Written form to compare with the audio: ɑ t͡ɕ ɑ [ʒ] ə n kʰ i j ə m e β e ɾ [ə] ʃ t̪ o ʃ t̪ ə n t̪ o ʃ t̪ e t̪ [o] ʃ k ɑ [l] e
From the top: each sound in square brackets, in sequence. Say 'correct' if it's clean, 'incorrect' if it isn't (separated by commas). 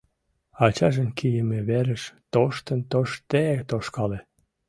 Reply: correct, correct, correct, correct